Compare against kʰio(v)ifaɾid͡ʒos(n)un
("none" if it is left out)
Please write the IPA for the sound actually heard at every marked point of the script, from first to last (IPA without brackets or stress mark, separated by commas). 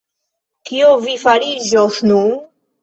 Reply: v, n